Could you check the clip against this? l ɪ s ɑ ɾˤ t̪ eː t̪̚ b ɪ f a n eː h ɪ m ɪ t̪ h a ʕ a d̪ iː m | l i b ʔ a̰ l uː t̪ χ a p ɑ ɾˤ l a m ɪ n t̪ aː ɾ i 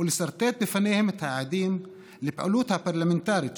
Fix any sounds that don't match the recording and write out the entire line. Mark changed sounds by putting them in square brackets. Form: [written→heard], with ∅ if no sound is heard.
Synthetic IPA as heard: l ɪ s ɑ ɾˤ t̪ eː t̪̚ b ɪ f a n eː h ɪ m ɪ t̪ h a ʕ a d̪ iː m | l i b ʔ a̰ l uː t̪ [χ→h] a p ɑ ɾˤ l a m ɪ n t̪ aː ɾ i